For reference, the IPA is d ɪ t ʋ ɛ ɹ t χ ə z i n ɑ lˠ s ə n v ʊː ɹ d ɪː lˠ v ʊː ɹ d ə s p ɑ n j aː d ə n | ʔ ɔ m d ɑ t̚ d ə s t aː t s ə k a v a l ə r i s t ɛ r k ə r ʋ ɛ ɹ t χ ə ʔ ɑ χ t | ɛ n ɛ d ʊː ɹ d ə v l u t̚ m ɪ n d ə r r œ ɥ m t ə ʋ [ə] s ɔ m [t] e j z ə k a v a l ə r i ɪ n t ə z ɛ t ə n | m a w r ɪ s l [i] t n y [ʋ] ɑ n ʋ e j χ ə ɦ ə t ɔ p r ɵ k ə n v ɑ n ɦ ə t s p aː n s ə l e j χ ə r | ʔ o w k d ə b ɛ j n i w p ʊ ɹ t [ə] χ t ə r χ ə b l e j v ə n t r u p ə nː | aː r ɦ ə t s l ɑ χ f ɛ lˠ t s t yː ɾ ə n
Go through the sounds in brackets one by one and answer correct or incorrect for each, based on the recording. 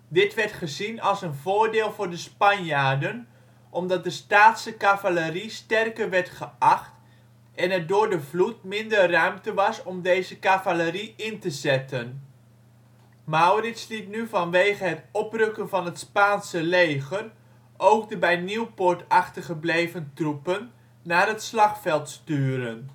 incorrect: ɑ, incorrect: d, correct, incorrect: v, incorrect: ɑ

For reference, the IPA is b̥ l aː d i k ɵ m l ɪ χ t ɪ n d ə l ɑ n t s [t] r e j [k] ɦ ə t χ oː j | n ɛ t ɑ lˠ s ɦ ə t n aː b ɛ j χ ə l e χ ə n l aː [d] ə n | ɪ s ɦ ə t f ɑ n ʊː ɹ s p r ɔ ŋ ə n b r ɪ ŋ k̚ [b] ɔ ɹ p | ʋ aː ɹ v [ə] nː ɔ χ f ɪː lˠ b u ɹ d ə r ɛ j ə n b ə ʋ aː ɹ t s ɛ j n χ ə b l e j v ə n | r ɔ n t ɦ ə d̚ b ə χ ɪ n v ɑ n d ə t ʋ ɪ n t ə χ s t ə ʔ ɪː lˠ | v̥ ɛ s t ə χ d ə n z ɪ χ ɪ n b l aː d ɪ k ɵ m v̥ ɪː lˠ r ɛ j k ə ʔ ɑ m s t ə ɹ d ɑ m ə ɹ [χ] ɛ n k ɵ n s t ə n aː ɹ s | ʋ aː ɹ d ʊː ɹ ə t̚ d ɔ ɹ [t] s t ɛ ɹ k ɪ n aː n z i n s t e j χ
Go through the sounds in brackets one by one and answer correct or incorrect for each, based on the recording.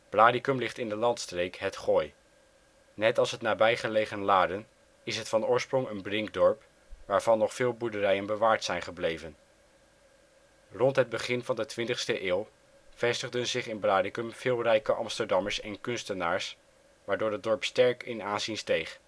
correct, correct, correct, incorrect: d, incorrect: ɑ, incorrect: s, incorrect: p

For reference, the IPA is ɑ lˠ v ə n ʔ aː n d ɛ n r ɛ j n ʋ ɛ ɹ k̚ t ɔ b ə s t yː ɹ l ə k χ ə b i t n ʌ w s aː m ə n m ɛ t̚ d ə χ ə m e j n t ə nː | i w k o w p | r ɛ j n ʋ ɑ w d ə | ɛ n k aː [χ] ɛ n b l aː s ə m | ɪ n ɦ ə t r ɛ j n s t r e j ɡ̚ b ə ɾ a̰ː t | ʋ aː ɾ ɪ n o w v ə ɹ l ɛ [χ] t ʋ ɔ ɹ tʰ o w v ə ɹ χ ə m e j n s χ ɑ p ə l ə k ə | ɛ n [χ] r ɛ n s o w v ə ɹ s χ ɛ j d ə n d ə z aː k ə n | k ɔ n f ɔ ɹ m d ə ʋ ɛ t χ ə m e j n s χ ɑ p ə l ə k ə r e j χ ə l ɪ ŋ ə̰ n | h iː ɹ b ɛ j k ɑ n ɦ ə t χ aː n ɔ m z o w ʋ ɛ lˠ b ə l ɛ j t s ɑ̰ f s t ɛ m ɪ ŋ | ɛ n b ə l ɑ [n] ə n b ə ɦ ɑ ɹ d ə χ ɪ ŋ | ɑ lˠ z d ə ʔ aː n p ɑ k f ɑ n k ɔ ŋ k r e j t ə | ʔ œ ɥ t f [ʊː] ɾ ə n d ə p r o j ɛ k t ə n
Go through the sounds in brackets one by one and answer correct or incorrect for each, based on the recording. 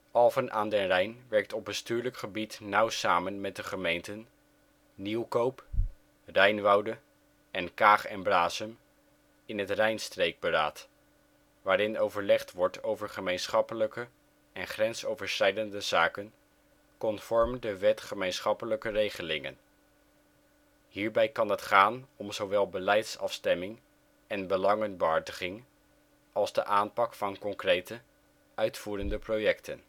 correct, correct, correct, incorrect: ŋ, incorrect: uː

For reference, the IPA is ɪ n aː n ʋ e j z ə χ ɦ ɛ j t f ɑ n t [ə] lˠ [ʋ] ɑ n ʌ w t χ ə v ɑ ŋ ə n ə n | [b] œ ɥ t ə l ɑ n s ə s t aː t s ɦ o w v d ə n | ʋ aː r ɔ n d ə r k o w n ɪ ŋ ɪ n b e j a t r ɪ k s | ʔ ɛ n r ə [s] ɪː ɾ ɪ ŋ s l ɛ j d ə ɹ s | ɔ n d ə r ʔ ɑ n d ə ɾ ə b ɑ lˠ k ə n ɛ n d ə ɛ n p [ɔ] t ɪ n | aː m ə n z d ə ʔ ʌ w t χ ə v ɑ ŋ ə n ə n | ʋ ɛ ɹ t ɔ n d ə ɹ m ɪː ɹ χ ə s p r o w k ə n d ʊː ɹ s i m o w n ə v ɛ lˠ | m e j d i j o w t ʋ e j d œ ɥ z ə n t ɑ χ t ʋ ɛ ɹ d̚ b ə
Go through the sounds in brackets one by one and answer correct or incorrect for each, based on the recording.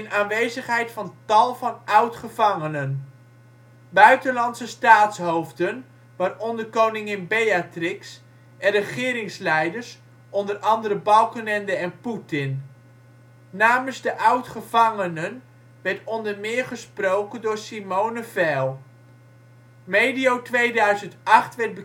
incorrect: ɑ, incorrect: v, correct, incorrect: χ, incorrect: u

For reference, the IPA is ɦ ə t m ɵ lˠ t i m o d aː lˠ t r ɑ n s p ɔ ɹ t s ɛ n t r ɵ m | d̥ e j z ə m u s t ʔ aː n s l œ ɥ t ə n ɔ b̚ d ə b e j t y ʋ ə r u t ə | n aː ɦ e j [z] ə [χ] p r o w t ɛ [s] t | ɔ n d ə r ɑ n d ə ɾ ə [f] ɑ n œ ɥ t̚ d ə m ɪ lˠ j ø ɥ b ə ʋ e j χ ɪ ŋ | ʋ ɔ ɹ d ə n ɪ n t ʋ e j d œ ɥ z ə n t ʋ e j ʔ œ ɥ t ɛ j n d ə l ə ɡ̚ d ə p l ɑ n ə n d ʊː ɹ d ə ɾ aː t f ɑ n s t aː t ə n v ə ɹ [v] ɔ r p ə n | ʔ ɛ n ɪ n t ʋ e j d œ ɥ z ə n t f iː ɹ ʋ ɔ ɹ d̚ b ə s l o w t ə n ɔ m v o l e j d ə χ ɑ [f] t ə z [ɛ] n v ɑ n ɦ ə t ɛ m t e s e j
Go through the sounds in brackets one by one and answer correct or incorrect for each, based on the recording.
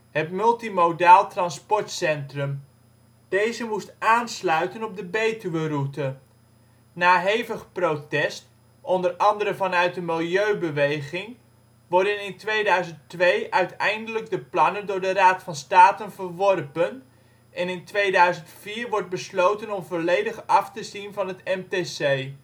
incorrect: v, correct, correct, incorrect: v, incorrect: ʋ, correct, incorrect: i

